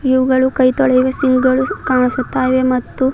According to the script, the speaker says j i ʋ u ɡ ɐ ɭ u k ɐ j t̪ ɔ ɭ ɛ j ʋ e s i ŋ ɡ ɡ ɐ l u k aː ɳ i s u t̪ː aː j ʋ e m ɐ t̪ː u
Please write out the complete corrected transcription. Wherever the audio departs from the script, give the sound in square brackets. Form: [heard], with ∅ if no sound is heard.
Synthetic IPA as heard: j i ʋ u ɡ ɐ ɭ u k ɐ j t̪ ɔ ɭ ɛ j ʋ e s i ŋ ɡ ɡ ɐ [ɭ] u k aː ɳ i s u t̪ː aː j ʋ e m ɐ t̪ː u